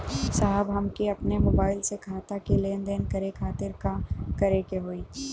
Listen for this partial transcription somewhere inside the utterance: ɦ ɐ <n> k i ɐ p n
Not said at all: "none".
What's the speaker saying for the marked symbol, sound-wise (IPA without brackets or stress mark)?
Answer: m